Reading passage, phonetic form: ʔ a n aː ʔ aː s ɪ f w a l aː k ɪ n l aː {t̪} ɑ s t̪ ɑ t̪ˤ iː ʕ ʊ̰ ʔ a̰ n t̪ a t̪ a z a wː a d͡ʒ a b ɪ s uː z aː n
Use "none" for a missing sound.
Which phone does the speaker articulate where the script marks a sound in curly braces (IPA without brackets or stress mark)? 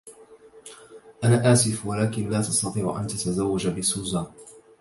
t̪